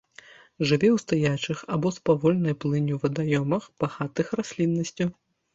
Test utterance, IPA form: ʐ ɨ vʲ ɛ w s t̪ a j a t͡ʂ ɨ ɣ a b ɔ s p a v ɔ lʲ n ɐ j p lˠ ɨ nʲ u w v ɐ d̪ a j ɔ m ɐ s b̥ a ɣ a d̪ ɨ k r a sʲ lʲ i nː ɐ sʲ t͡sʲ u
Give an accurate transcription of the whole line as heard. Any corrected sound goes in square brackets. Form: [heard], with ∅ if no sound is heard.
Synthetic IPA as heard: ʐ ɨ vʲ ɛ w s t̪ a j a t͡ʂ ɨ [x] a b ɔ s p a v ɔ lʲ n ɐ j p lˠ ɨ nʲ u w v ɐ d̪ a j ɔ m ɐ [x] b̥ a ɣ a [t̪] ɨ [x] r a sʲ lʲ i nː ɐ sʲ t͡sʲ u